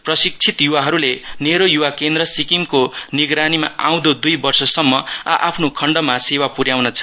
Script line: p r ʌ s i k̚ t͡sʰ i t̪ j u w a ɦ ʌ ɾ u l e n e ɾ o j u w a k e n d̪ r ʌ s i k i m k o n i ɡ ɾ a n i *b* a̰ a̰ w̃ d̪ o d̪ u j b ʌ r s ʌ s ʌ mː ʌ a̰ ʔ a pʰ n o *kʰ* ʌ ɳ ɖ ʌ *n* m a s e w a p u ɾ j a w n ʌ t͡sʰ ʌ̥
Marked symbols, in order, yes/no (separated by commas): no, yes, no